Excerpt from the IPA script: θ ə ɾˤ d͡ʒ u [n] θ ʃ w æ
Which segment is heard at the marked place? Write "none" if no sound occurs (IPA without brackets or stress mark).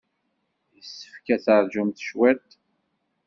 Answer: m